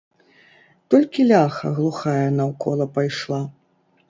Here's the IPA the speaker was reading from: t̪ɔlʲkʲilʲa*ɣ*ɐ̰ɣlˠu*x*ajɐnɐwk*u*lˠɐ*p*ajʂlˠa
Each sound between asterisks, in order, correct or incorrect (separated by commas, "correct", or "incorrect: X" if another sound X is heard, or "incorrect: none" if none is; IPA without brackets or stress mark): incorrect: x, correct, incorrect: ɔ, correct